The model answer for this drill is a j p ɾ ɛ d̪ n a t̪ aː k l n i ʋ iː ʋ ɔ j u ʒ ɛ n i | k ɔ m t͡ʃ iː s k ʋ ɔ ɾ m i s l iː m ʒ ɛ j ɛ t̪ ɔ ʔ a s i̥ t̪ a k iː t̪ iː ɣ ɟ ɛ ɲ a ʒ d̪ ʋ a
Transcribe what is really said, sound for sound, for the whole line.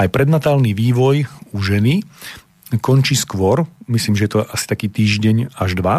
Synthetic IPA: a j p ɾ ɛ d̪ n a t̪ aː l n i ʋ iː ʋ ɔ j u ʒ ɛ n i | k ɔ n t͡ʃ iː s k ʋ ɔ ɾ m i s l iː m ʒ ɛ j ɛ t̪ ɔ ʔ a s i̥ t̪ a k iː t̪ iː ʒ ɟ ɛ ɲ a ʒ d̪ ʋ a